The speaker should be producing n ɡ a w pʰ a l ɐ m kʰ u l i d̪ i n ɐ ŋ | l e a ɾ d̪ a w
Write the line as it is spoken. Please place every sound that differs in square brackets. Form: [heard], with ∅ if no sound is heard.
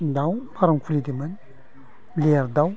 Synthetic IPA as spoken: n [d] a w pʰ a [ɾ] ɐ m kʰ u l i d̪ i [m] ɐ [n] | l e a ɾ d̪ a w